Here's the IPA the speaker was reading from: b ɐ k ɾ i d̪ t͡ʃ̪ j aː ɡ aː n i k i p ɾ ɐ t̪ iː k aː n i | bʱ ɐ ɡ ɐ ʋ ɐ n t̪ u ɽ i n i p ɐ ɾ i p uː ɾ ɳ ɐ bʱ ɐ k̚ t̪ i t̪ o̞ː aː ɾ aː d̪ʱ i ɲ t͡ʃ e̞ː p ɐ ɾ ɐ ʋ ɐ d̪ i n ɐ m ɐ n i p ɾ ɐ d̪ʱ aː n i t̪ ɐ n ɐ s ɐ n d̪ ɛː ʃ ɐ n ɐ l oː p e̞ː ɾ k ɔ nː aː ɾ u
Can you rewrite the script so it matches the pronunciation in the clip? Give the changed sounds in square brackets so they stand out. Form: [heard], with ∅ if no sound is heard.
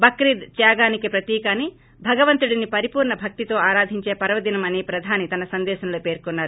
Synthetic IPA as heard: b ɐ k ɾ i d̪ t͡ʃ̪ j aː ɡ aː n i k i p ɾ ɐ t̪ iː k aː n i | bʱ ɐ ɡ ɐ ʋ ɐ n t̪ u ɽ i n i p ɐ ɾ i p uː ɾ ɳ ɐ bʱ ɐ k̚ t̪ i t̪ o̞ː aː ɾ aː d̪ʱ i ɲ t͡ʃ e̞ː p ɐ ɾ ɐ ʋ ɐ d̪ i n ɐ m ɐ n i p ɾ ɐ d̪ʱ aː n i t̪ ɐ n ɐ s ɐ n d̪ ɛː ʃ ɐ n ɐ l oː p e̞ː ɾ k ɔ nː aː ɾ u